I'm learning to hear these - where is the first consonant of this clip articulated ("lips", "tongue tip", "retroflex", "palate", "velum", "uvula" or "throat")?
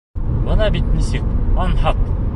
lips